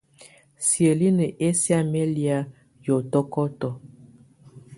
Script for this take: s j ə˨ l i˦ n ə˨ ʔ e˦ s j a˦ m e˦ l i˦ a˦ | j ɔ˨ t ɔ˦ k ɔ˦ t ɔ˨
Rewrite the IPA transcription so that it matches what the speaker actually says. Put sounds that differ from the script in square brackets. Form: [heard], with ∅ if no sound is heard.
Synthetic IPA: s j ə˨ l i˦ n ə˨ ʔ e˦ s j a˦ m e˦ l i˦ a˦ | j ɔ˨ t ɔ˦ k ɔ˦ t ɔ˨

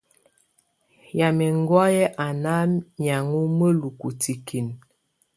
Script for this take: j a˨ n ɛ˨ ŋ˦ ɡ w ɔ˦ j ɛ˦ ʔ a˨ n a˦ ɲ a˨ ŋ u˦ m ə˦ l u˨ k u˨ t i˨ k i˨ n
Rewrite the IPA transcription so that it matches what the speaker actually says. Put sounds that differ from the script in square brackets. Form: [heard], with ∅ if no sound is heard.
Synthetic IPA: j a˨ [m] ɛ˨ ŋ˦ ɡ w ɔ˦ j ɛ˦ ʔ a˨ n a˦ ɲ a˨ ŋ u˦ m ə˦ l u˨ k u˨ t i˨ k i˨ n

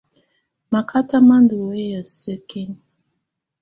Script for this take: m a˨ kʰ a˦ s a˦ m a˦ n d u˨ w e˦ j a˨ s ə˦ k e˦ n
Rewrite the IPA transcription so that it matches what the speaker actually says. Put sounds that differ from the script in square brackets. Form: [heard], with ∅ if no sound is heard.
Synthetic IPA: m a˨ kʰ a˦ [t] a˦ m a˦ n d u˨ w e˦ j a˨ s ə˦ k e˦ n

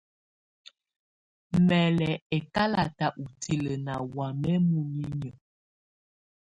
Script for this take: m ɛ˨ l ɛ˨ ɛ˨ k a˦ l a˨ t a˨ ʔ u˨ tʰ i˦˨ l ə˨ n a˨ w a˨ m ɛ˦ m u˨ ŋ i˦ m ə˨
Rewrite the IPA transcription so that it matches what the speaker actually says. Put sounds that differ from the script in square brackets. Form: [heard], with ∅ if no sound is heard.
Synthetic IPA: m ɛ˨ l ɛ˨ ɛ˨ k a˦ l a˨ t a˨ ʔ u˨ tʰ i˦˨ l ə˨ n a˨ w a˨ m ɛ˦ m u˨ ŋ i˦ [ɲ] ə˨

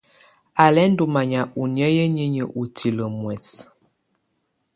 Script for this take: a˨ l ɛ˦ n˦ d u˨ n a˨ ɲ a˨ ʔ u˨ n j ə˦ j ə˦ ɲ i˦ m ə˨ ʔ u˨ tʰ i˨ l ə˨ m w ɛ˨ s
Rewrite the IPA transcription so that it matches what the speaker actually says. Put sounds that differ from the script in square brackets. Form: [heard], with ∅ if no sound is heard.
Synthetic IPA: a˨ l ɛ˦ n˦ d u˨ [m] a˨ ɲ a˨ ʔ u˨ n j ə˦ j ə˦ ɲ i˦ [ɲ] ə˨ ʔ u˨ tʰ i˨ l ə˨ m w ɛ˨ s

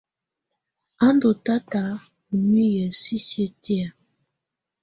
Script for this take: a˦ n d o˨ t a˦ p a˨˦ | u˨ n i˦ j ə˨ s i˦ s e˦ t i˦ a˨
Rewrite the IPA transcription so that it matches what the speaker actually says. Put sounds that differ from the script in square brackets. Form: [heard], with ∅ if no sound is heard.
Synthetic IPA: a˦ n d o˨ t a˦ [t] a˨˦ | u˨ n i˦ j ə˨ s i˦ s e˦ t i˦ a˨

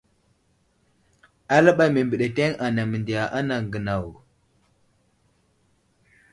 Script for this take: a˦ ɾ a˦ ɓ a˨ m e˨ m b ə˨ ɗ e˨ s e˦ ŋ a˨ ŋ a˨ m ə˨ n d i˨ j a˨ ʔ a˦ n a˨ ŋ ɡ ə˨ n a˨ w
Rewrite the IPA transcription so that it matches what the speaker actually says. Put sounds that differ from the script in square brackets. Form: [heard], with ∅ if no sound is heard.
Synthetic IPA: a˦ [l] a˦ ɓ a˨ m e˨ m b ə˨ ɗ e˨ [t] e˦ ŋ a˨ [n] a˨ m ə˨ n d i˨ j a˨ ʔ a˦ n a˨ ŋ ɡ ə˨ n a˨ w

